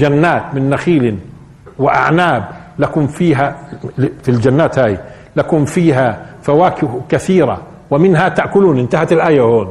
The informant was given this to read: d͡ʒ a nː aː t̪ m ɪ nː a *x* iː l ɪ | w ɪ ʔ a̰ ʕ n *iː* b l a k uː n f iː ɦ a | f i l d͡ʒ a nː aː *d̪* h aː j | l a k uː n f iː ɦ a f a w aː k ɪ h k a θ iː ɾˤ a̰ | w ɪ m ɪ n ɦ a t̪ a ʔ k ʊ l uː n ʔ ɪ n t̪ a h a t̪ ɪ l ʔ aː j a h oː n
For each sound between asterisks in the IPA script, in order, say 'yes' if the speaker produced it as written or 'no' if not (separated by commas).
yes, no, no